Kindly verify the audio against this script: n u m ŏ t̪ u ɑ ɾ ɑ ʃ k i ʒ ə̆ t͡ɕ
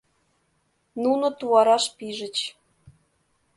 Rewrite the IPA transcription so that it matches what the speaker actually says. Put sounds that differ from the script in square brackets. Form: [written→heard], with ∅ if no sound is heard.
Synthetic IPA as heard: n u [m→n] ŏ t̪ u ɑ ɾ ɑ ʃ [k→p] i ʒ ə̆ t͡ɕ

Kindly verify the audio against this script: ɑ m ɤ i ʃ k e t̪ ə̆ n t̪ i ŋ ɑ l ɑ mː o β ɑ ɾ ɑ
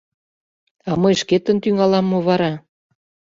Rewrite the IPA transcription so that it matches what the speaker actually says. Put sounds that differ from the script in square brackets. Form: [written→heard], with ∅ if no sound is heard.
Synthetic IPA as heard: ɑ m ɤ [i→j] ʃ k e t̪ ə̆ n t̪ [i→y] ŋ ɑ l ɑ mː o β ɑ ɾ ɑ

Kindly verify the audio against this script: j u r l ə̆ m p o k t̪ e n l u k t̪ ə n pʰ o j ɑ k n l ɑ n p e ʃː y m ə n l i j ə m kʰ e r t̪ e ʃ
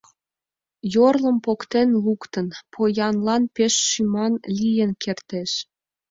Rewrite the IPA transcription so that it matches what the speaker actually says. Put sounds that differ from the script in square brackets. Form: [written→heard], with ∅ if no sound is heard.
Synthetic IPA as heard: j [u→o] r l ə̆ m p o k t̪ e n l u k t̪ ə n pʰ o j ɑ [k→∅] n l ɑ n p e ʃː y m [ə→ɑ] n l i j ə [m→n] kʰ e r t̪ e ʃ

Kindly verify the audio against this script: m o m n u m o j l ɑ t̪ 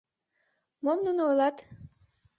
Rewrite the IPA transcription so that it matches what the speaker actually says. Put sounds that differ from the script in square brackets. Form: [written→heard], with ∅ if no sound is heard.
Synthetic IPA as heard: m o m n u [m→n] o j l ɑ t̪

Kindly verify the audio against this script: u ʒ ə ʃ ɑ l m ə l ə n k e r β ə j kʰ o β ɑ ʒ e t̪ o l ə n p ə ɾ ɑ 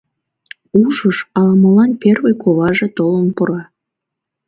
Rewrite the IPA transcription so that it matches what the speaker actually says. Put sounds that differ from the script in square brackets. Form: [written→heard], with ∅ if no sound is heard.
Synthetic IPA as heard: u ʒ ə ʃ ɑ l m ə l [ə→ɑ] n [k→p] e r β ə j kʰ o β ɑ ʒ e t̪ o l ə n p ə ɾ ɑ

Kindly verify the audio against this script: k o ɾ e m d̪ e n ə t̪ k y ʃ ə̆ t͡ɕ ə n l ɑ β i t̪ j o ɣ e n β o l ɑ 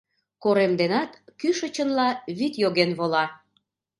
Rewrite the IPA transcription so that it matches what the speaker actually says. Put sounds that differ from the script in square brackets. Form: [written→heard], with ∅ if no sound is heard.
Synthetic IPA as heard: k o ɾ e m d̪ e n [ə→ɑ] t̪ k y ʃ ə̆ t͡ɕ ə n l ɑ β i t̪ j o ɣ e n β o l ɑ

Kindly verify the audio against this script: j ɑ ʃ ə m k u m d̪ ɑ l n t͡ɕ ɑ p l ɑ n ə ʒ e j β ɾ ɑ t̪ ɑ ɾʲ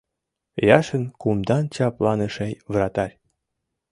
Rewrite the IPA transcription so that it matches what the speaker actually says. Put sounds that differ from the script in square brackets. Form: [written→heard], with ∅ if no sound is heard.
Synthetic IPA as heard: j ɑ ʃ ə [m→n] k u m d̪ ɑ [l→∅] n t͡ɕ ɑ p l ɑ n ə [ʒ→ʃ] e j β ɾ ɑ t̪ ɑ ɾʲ

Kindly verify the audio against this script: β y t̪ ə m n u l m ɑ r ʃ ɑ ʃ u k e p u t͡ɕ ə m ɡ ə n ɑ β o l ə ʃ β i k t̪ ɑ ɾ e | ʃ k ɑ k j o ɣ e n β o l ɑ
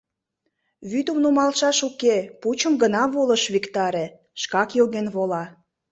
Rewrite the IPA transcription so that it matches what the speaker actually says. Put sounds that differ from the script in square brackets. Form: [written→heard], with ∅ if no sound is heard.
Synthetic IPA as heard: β y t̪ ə m n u [l→∅] m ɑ [r→l] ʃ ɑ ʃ u k e p u t͡ɕ ə m ɡ ə n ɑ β o l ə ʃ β i k t̪ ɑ ɾ e | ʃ k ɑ k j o ɣ e n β o l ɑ

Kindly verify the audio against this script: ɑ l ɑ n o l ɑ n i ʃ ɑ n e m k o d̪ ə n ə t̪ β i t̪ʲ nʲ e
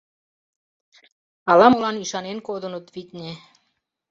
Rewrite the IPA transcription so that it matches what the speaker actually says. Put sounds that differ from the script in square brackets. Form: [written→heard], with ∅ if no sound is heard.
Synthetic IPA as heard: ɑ l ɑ [n→m] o l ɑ n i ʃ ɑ n e [m→n] k o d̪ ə n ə t̪ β i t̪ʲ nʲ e

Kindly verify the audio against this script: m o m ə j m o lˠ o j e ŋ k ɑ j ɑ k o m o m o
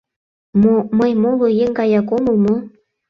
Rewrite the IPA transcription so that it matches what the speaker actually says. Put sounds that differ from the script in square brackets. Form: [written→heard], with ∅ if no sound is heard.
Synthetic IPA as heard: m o m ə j m o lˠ o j e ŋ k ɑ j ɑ k o m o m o

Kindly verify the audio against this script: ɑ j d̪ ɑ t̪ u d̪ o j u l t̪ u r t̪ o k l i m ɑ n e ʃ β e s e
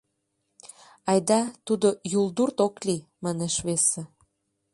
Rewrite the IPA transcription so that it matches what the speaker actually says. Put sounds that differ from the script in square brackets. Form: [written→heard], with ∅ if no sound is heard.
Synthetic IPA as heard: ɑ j d̪ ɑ t̪ u d̪ o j u l [t̪→d̪] u r t̪ o k l i m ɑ n e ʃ β e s e

